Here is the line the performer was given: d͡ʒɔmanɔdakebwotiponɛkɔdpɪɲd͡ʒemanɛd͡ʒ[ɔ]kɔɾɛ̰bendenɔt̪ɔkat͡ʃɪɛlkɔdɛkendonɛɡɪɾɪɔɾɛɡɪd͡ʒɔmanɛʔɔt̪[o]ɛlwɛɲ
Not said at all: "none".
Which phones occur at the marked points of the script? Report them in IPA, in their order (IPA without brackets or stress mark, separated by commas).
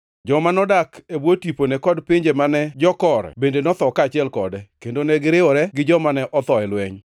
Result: ɔ, ɔ